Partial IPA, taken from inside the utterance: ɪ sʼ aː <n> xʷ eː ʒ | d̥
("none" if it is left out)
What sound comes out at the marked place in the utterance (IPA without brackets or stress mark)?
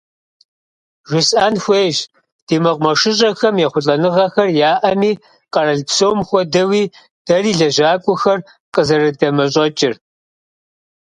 n